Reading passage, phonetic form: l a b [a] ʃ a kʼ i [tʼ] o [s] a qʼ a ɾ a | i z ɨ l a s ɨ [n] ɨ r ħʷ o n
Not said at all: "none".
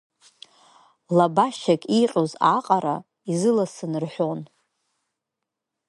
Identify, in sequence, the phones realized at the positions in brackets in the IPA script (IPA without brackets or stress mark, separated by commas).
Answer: a, qʼ, z, n